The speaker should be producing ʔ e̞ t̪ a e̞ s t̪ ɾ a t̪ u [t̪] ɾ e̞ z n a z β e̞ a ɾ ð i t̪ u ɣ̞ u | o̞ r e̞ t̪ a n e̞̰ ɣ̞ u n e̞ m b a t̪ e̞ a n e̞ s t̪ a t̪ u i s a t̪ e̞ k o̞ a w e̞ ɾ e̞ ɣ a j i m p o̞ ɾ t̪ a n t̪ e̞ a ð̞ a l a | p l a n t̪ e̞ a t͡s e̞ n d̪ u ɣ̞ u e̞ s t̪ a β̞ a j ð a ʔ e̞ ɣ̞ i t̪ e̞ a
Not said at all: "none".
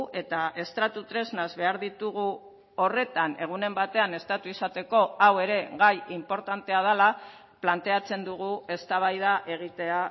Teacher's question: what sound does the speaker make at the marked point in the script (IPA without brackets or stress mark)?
t̪